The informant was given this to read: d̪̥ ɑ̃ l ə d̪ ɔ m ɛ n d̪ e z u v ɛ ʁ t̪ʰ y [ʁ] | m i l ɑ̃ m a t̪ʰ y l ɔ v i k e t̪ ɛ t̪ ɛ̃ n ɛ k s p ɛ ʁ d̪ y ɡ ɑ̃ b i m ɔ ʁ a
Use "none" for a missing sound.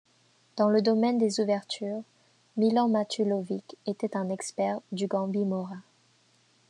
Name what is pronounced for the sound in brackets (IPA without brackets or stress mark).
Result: ʁ